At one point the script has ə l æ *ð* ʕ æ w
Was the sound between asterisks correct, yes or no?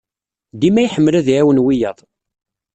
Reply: yes